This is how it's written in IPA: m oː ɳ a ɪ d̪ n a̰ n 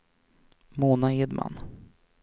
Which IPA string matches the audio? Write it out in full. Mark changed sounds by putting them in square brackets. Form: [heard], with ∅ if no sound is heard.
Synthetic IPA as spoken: m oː [n] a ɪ d̪ [m] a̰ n